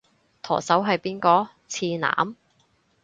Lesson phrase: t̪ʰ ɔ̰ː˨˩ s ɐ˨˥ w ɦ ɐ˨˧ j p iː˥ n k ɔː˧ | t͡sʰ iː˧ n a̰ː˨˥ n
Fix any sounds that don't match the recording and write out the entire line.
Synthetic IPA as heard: t̪ʰ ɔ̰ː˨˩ s ɐ˨˥ w ɦ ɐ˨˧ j p iː˥ n k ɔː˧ | t͡sʰ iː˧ n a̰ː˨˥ m